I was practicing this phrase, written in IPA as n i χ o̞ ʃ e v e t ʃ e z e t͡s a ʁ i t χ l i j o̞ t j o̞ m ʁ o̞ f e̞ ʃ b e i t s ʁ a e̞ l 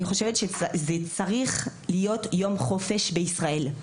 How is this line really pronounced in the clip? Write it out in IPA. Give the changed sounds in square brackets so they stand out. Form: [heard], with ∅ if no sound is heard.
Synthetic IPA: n i χ o̞ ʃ e v e t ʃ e z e t͡s a ʁ i [∅] χ l i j o̞ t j o̞ m [χ] o̞ f e̞ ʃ b e i [∅] s ʁ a e̞ l